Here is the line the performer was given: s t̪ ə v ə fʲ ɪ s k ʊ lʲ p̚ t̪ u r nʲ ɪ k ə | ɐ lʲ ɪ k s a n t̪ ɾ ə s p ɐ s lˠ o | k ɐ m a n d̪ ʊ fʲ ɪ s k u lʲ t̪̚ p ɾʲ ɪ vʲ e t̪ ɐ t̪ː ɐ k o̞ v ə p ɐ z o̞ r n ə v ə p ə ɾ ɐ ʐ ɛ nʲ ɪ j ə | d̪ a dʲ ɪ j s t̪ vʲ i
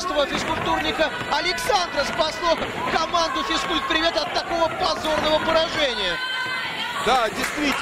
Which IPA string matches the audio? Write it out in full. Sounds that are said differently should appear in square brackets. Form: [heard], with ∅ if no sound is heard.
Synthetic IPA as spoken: s t̪ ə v ə fʲ ɪ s k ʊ lʲ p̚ t̪ u r nʲ ɪ k ə | ɐ lʲ ɪ k s a n [d̪] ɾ ə s p ɐ s lˠ o | k ɐ m a n d̪ ʊ fʲ ɪ s k u lʲ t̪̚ p ɾʲ ɪ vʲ e t̪ ɐ t̪ː ɐ k o̞ v ə p ɐ z o̞ r n ə v ə p ə ɾ ɐ ʐ ɛ nʲ ɪ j ə | d̪ a dʲ ɪ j s t̪ vʲ i